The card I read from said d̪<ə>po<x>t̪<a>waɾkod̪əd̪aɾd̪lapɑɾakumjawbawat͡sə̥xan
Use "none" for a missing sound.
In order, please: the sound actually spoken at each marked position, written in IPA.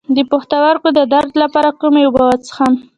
ə, x, a

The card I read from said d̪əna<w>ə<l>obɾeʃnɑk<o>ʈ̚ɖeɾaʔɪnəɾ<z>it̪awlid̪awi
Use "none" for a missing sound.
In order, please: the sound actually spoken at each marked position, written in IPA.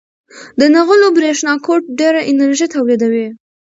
ɣ, l, o, ʒ

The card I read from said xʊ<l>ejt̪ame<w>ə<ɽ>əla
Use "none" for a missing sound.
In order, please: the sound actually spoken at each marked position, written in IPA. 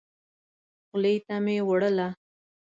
l, w, ɽ

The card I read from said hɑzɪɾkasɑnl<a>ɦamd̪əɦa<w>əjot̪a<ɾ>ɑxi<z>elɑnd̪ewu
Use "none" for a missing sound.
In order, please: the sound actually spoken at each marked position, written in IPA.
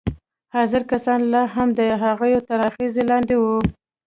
ɑ, ɣ, ɾ, z

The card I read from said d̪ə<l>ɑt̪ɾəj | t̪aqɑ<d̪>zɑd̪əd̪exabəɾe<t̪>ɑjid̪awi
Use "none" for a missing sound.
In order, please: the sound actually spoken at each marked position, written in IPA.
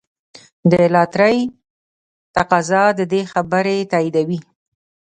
l, none, t̪

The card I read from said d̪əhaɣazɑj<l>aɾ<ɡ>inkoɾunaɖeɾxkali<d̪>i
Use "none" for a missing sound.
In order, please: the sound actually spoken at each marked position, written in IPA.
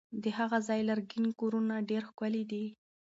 l, ɡ, d̪

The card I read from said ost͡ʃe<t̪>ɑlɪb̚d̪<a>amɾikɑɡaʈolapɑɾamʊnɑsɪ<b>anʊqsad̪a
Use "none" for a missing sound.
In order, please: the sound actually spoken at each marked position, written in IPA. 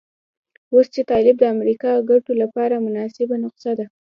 t̪, ə, b

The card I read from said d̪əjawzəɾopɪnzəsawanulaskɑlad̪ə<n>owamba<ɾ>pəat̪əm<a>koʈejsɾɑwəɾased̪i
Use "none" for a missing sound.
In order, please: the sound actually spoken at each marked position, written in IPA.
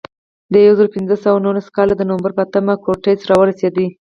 n, ɾ, a

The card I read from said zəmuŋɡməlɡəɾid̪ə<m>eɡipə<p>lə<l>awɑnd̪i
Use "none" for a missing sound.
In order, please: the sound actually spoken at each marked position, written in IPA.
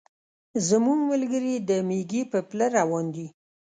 m, p, ɾ

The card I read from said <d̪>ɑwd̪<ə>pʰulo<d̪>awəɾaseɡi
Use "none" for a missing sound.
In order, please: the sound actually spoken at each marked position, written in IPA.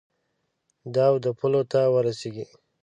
d̪, ə, t̪

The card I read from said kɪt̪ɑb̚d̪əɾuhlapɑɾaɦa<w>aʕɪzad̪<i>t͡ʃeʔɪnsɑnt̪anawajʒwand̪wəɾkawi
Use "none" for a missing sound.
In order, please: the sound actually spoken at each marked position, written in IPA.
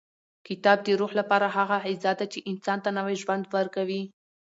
ɣ, a

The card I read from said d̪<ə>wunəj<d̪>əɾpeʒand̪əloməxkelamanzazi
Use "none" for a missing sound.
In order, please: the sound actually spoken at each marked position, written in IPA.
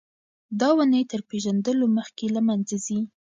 ɑ, t̪

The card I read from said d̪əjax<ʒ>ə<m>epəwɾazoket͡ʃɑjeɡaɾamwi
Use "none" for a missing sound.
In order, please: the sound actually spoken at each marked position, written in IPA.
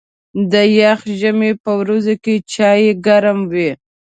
ʒ, m

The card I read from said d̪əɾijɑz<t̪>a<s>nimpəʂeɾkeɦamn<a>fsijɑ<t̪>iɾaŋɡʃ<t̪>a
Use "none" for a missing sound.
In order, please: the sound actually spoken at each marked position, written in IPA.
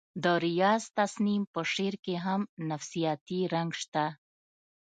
t̪, s, a, t̪, t̪

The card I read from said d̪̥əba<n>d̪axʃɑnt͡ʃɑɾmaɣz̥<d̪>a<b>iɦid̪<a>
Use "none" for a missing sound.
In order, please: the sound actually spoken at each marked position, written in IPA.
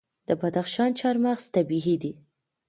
none, t̪, b, i

